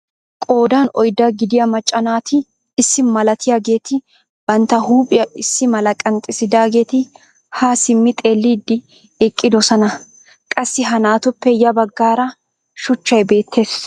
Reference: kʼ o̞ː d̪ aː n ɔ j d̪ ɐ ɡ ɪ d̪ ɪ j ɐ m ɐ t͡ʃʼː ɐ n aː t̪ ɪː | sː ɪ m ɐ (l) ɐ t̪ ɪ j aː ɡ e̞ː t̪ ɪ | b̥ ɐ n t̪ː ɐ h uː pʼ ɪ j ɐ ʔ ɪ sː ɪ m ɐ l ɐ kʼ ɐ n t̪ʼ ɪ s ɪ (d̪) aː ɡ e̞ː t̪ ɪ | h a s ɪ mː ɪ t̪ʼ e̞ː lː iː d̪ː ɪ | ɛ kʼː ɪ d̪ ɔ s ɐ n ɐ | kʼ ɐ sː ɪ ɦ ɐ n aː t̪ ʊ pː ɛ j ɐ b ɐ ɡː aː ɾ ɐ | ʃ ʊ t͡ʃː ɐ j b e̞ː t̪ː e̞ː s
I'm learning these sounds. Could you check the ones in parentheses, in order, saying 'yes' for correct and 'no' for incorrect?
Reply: yes, yes

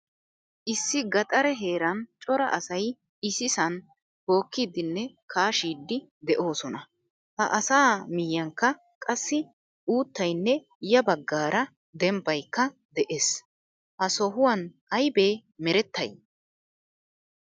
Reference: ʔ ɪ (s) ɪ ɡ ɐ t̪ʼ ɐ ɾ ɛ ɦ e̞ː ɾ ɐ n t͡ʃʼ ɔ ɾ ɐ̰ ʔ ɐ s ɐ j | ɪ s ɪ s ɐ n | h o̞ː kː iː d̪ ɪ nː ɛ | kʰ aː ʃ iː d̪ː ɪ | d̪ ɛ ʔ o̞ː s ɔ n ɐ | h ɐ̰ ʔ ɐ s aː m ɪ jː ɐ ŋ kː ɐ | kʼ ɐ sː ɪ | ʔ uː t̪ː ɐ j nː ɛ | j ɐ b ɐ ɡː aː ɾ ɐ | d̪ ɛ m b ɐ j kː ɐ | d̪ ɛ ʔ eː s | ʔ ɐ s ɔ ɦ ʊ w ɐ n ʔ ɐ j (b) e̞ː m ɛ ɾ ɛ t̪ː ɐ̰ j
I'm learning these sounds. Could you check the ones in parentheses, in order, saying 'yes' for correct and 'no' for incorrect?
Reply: no, yes

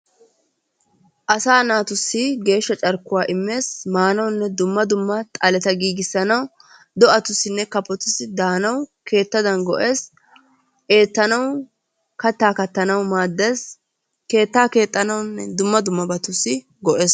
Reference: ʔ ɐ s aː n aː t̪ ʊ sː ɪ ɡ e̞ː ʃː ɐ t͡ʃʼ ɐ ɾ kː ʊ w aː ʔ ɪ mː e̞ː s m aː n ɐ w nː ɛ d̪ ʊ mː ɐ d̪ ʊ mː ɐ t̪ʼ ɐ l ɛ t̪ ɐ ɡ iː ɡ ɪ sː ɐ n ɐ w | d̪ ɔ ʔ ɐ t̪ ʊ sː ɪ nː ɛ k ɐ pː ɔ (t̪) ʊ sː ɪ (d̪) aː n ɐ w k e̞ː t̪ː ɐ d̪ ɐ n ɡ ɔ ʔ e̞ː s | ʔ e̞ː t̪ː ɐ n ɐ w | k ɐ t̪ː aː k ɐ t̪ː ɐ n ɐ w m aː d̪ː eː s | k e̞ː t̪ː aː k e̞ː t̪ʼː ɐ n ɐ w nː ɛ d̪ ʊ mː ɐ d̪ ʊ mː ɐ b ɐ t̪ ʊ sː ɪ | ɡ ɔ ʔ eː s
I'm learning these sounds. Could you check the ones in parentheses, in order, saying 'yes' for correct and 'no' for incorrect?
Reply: yes, yes

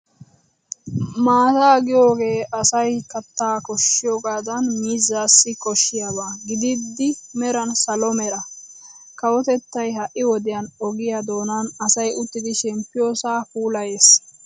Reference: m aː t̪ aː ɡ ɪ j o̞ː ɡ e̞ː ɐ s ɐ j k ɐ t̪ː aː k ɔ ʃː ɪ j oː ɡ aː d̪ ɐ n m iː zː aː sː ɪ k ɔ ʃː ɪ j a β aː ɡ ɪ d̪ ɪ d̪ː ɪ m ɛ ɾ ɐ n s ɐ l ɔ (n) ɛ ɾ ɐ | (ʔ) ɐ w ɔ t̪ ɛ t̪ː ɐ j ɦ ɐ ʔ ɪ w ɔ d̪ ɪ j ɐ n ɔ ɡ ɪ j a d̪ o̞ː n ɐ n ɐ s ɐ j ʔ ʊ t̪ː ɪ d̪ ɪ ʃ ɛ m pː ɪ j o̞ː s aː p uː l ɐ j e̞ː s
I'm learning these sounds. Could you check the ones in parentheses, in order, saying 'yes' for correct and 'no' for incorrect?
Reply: no, no

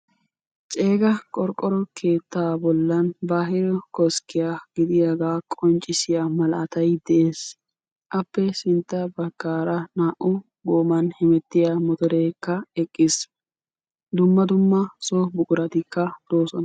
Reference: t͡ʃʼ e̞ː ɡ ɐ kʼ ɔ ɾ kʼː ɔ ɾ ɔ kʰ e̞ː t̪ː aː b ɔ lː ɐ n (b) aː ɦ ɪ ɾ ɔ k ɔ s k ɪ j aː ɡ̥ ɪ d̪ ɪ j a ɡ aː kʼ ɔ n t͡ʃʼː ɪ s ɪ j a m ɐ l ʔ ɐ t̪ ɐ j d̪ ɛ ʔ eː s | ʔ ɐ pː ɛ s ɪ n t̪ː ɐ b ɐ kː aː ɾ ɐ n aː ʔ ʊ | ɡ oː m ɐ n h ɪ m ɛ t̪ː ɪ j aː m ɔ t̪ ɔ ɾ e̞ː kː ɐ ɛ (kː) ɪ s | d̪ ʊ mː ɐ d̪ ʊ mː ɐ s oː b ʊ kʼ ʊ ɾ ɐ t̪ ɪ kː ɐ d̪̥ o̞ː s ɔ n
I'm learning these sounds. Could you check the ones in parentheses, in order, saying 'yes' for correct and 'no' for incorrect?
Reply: yes, no

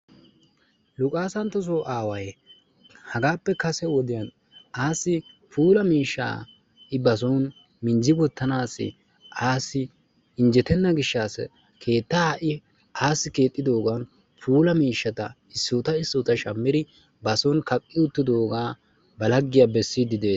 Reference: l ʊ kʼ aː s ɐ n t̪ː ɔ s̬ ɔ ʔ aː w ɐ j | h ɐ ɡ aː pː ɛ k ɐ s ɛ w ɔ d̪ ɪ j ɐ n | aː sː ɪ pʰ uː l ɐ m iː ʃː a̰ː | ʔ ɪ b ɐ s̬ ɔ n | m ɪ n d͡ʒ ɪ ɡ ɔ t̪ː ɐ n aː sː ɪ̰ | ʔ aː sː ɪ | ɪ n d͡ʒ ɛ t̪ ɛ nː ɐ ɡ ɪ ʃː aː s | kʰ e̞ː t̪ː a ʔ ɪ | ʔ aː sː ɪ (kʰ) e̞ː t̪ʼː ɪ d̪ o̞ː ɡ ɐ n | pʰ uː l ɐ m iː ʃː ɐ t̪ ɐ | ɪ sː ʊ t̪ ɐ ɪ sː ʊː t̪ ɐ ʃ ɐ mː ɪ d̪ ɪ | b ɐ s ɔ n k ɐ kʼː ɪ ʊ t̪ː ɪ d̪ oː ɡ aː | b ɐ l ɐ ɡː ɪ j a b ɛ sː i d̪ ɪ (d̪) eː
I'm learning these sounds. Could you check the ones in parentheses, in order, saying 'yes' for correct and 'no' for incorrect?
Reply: no, yes

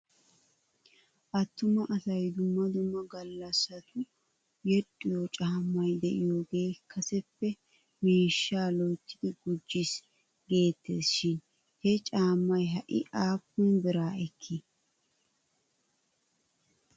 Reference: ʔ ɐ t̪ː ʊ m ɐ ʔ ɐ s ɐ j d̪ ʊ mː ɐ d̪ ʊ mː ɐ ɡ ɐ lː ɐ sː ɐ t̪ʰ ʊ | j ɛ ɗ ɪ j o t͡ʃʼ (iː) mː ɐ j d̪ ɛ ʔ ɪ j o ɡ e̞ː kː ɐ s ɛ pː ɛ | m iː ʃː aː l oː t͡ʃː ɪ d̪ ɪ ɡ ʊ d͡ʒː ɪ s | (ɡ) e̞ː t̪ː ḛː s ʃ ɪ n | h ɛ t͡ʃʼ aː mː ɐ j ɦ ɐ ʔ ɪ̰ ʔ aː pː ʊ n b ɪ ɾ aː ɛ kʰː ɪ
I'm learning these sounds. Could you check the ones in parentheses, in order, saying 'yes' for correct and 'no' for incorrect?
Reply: no, yes

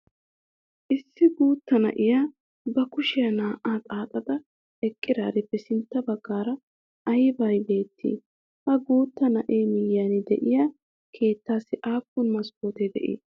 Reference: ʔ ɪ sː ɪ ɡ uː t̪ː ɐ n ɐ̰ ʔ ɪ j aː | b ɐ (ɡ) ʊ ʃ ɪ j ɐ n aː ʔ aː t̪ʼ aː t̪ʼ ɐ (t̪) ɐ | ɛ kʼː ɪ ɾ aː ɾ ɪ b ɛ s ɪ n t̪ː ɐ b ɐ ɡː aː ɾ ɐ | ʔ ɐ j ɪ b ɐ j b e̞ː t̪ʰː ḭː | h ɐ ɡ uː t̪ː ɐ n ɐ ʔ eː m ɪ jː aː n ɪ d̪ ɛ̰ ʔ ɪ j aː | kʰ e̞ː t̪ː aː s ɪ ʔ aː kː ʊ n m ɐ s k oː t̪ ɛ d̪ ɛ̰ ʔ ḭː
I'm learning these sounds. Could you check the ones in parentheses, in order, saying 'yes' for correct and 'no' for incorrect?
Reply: no, no

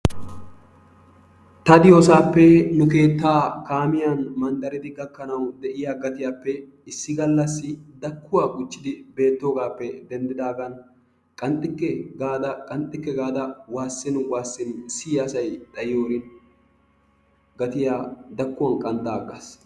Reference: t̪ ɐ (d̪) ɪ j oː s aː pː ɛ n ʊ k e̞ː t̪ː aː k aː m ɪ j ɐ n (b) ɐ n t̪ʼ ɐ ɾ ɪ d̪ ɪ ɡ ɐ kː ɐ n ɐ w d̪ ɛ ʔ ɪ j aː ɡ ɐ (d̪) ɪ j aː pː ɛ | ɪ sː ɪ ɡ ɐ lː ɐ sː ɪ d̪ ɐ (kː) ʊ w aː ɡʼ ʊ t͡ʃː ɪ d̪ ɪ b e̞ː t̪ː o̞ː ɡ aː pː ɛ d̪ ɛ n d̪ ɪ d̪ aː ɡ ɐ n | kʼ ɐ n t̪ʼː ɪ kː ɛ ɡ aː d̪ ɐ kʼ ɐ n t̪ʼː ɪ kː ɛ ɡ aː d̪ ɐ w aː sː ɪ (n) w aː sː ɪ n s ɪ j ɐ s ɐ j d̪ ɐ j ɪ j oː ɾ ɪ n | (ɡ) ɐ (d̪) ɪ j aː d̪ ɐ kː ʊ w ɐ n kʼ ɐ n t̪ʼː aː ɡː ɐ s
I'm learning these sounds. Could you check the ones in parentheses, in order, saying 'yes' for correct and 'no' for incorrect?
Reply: yes, no, no, yes, yes, yes, no

